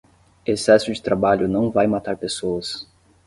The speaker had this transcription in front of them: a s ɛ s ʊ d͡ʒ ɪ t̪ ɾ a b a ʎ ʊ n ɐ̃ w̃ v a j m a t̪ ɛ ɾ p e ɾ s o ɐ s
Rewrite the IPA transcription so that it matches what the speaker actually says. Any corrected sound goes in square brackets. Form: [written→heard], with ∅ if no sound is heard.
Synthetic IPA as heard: [a→e] s ɛ s ʊ d͡ʒ ɪ t̪ ɾ a b a ʎ ʊ n ɐ̃ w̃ v a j m a t̪ [ɛ→a] ɾ p e [ɾ→∅] s o ɐ s